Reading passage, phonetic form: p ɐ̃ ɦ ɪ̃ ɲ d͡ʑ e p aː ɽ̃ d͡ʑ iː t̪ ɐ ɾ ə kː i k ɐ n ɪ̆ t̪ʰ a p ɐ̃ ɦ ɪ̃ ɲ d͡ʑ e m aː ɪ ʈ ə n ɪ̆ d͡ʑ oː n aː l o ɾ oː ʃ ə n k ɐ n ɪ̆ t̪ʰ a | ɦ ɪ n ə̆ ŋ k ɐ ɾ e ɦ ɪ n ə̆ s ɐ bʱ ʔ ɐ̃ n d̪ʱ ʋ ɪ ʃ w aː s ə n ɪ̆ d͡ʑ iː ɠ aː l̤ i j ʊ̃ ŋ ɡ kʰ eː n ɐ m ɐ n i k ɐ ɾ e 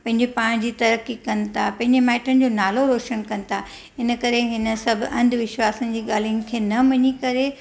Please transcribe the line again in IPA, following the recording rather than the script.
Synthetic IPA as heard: p ɐ̃ ɦ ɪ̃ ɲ d͡ʑ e p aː ɽ̃ d͡ʑ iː t̪ ɐ ɾ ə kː i k ɐ n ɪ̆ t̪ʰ a p ɐ̃ ɦ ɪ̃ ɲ d͡ʑ e m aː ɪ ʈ ə n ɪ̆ d͡ʑ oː n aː l o ɾ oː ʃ ə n k ɐ n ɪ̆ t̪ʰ a | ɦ ɪ n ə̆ k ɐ ɾ e ɦ ɪ n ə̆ s ɐ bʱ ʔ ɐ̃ n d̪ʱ ʋ ɪ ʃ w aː s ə n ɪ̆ d͡ʑ iː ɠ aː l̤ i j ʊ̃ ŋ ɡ kʰ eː n ɐ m ɐ ɲ i k ɐ ɾ e